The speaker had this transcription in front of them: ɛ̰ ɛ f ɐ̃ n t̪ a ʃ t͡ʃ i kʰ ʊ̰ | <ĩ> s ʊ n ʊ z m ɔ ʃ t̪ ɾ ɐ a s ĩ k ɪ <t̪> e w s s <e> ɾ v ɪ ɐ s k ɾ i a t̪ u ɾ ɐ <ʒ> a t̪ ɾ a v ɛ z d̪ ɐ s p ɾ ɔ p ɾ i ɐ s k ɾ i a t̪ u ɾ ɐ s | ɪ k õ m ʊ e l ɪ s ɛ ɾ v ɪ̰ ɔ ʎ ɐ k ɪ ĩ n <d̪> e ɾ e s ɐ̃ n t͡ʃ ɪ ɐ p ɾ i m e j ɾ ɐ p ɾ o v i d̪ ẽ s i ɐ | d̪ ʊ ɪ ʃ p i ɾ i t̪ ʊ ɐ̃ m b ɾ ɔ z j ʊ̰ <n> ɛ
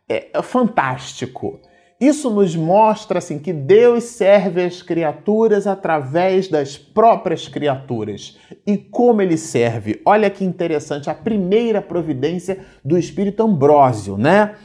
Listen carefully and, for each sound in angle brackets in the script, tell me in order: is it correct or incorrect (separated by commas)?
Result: incorrect, incorrect, incorrect, incorrect, incorrect, correct